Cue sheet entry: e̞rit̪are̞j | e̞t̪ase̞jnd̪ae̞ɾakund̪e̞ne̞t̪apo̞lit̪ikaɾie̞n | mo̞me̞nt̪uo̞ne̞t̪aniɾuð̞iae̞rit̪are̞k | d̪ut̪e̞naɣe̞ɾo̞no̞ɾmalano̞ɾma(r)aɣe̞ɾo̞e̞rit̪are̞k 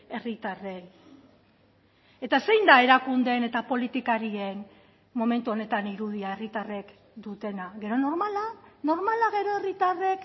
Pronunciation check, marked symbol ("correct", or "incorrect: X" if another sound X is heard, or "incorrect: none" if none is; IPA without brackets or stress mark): incorrect: l